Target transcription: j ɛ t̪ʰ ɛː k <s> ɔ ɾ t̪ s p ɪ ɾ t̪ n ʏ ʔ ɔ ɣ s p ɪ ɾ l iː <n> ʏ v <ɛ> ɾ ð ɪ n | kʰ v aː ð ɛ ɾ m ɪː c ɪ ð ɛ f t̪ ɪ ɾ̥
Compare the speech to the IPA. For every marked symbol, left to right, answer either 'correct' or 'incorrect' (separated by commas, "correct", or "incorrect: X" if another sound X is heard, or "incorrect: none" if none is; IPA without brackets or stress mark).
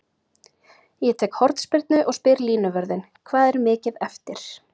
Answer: incorrect: h, correct, incorrect: œ